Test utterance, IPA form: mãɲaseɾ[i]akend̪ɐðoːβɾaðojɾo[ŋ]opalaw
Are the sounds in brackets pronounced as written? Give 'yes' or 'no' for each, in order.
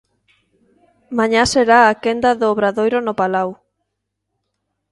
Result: no, no

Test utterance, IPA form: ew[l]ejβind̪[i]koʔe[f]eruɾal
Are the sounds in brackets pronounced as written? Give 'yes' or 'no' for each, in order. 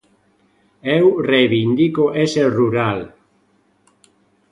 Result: no, yes, no

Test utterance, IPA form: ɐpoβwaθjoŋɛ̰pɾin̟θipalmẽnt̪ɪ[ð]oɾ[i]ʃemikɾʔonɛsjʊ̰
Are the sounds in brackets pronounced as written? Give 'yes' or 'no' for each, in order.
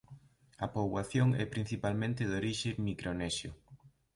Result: yes, yes

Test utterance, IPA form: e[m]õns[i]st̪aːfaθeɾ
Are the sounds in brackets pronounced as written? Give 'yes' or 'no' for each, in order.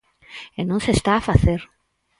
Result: no, no

